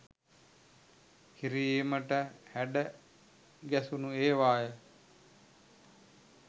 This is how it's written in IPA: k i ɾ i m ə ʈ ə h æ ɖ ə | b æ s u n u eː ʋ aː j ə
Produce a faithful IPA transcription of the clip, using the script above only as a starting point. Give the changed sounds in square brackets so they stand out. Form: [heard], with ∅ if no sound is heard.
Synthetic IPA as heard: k i ɾ i m ə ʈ ə h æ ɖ ə | [ɡ] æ s u n u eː ʋ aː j ə